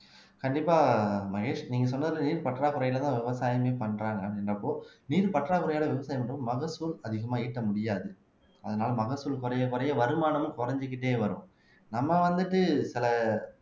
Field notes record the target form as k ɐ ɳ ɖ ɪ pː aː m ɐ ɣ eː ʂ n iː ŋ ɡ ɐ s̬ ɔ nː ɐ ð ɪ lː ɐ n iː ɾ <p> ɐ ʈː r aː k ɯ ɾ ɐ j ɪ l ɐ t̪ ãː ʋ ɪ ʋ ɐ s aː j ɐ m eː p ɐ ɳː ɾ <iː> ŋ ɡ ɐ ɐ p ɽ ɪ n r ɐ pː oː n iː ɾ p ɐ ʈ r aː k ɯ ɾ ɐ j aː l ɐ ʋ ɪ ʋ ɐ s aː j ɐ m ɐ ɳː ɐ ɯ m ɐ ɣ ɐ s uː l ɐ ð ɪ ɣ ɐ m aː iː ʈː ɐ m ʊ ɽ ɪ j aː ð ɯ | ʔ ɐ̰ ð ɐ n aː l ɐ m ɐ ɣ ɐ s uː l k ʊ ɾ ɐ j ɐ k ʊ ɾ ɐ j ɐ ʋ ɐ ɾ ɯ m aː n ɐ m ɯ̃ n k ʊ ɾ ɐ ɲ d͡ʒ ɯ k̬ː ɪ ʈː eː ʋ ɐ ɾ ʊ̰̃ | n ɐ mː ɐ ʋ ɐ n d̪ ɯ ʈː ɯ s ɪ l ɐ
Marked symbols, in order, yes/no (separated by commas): yes, no